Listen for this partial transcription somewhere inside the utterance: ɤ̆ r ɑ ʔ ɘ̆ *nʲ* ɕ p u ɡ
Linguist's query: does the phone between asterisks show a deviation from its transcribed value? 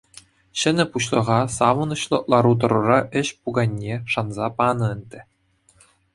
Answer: yes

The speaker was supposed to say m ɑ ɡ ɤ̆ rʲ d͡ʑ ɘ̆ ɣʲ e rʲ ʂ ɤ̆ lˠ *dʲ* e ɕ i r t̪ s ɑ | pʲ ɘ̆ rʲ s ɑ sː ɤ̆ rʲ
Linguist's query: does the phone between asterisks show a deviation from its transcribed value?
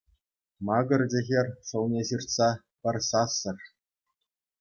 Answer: yes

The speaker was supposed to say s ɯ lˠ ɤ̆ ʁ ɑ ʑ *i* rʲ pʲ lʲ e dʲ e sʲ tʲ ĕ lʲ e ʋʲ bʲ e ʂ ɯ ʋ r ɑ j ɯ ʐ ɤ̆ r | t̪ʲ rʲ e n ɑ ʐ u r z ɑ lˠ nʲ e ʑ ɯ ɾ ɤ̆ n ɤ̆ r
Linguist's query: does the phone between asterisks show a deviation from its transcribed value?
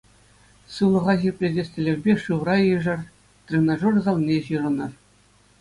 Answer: no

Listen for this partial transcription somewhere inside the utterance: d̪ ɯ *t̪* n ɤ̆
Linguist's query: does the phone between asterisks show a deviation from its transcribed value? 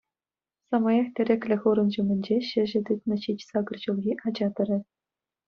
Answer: no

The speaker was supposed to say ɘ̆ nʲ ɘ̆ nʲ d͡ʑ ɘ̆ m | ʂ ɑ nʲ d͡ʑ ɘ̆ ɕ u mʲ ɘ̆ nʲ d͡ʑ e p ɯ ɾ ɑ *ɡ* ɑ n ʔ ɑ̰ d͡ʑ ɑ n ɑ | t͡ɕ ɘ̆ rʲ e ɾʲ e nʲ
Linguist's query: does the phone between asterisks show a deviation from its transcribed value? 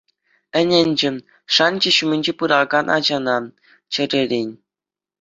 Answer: no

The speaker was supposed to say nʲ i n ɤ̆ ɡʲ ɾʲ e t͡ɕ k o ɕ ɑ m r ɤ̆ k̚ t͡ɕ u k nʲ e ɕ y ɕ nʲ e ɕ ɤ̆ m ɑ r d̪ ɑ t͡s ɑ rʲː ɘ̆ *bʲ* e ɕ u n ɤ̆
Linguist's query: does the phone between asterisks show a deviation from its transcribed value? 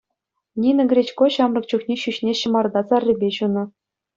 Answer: no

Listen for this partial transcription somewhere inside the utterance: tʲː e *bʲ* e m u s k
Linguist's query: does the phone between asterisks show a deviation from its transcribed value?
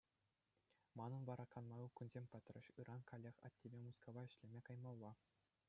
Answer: no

